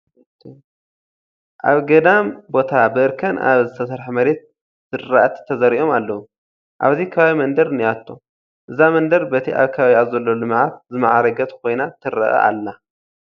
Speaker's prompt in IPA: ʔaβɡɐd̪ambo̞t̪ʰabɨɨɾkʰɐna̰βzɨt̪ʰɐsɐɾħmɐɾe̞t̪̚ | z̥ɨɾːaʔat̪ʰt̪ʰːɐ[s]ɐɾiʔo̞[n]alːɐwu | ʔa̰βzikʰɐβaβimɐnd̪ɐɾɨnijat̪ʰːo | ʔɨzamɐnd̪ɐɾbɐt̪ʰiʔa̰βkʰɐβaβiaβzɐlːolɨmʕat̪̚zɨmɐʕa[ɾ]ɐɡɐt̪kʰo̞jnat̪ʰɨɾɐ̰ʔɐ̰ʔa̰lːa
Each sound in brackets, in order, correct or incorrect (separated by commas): incorrect, incorrect, correct